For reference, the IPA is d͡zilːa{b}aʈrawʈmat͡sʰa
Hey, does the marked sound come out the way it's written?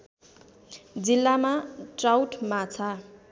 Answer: no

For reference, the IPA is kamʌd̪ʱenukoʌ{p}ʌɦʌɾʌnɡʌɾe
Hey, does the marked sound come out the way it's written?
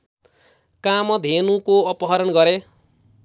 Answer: yes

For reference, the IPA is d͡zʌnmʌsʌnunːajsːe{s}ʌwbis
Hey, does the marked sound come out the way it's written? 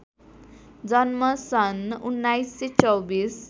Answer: no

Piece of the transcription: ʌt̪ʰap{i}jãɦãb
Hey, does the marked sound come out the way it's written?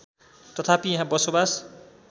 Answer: yes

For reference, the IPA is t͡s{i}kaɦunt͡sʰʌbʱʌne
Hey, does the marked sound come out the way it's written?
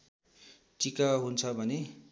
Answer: yes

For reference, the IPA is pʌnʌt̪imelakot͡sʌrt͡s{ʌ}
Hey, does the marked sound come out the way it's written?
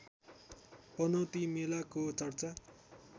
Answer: no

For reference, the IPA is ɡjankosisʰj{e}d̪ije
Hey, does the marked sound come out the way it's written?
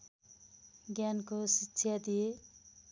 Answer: no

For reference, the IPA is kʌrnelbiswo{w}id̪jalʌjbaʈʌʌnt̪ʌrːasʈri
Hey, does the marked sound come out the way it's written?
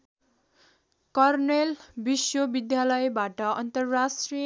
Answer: no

